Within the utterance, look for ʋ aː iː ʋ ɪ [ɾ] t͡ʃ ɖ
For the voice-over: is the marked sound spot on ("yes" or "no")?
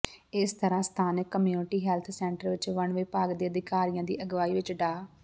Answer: no